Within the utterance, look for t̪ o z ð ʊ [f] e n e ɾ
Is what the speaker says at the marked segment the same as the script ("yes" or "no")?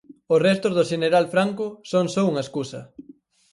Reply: no